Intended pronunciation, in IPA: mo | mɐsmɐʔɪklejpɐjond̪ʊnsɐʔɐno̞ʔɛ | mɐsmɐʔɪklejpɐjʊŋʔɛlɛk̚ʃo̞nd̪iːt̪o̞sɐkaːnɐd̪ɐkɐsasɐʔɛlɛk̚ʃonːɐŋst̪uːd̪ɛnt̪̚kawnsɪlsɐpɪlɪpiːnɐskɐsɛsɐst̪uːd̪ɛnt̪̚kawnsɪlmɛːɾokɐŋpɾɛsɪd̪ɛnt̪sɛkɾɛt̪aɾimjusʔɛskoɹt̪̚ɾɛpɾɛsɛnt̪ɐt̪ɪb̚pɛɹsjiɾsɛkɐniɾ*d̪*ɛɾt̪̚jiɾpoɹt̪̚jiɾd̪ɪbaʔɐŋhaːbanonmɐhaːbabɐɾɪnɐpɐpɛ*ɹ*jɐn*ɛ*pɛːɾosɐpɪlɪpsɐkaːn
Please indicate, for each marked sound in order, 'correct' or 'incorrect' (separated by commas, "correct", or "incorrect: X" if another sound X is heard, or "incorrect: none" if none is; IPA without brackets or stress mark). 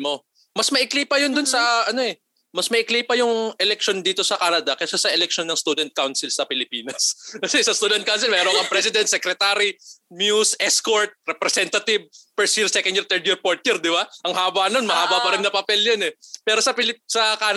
incorrect: t̪, incorrect: l, correct